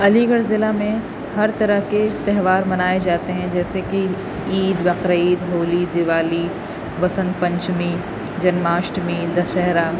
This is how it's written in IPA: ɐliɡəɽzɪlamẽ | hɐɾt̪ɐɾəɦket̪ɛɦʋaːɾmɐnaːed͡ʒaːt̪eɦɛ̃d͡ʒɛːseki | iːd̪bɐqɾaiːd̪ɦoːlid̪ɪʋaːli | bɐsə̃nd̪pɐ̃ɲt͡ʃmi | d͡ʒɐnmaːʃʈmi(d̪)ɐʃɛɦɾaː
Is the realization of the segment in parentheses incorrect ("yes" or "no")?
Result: no